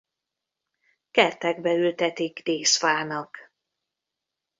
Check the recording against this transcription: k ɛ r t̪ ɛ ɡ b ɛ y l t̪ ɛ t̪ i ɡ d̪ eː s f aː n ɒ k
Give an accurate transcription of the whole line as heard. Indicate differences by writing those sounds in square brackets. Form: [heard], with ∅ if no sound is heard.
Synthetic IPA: k ɛ r t̪ ɛ ɡ b ɛ y l t̪ ɛ t̪ i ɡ d̪ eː s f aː n ɒ k